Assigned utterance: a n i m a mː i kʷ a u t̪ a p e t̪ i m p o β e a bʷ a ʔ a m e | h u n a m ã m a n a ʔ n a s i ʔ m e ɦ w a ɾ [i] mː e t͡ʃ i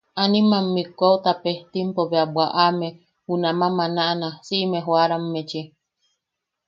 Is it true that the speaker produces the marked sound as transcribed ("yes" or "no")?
no